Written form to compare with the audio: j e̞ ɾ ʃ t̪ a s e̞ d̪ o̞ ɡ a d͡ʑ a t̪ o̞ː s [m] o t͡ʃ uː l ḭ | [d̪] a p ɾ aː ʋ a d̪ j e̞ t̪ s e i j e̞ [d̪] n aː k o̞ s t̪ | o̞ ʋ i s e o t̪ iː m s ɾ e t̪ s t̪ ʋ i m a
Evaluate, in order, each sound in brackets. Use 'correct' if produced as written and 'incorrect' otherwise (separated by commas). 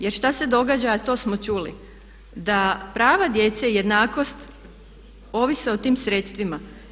correct, correct, correct